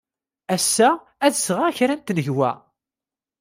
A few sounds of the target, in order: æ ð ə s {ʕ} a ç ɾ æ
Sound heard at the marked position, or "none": ʁ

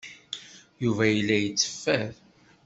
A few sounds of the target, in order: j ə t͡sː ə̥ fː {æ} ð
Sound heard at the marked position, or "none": æ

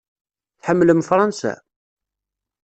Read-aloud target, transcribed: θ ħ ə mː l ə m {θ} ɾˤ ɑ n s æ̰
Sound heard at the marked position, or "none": f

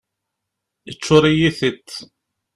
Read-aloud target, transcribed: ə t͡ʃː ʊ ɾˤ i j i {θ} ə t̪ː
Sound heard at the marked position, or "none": θ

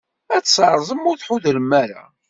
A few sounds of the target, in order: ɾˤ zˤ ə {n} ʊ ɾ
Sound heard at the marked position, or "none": m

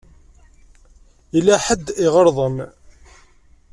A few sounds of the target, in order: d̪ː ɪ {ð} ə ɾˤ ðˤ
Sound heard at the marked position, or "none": ʁ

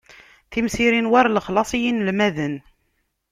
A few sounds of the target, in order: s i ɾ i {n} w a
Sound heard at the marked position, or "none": n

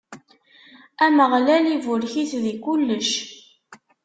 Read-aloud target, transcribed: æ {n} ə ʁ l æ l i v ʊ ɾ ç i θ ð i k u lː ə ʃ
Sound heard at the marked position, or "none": m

